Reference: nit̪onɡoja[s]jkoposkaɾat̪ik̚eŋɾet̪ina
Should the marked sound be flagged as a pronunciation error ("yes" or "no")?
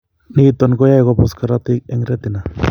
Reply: yes